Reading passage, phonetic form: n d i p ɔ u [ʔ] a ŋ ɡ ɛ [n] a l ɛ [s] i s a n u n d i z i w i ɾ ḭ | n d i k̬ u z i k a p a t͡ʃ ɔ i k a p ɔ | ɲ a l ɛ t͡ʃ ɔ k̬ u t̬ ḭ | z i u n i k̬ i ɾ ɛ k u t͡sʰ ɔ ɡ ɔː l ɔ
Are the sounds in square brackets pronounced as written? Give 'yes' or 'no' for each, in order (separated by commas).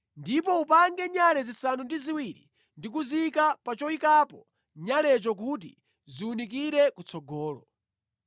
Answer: no, no, no